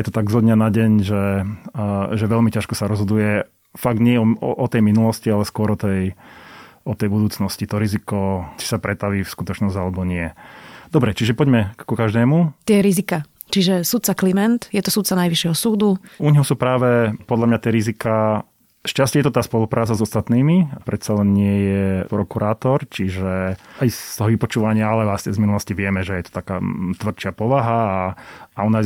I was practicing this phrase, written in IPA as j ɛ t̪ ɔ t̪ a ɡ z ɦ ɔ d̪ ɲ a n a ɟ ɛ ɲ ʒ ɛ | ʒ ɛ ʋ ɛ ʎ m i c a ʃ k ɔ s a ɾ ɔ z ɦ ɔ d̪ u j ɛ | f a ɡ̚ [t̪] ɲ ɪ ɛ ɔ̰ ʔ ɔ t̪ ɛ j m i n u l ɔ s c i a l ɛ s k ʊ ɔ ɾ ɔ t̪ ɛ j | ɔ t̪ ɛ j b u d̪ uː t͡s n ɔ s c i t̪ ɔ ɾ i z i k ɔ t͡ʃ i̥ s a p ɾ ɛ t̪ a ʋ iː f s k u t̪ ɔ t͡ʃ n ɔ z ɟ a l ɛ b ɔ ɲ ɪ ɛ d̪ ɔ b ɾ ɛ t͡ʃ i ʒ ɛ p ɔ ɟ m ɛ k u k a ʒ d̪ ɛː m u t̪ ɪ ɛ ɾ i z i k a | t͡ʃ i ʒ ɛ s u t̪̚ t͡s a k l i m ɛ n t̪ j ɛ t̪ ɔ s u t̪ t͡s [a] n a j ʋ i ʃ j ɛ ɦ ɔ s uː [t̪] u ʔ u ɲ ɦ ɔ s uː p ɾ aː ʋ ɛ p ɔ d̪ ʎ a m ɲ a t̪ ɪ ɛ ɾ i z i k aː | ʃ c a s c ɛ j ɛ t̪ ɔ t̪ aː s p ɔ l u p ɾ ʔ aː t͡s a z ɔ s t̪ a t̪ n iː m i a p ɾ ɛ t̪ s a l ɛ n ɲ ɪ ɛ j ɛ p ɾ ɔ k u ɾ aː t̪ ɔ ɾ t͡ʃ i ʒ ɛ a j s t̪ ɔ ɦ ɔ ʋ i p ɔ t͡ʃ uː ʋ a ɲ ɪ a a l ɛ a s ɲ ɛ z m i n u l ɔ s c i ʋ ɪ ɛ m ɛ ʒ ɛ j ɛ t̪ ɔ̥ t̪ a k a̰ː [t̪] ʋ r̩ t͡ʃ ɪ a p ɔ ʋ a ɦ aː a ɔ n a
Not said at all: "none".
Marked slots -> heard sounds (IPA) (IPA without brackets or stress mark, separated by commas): d̪, a, d̪, t̪